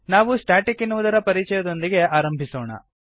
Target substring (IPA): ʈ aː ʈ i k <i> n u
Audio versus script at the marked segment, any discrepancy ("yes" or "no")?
no